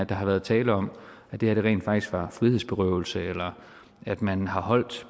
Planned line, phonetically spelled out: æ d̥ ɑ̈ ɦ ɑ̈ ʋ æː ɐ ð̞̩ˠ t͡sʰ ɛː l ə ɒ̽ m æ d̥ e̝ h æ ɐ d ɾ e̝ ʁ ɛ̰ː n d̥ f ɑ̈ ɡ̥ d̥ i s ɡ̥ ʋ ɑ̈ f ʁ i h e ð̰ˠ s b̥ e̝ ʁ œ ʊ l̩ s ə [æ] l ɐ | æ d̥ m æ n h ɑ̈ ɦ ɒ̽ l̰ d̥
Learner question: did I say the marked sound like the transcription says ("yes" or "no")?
no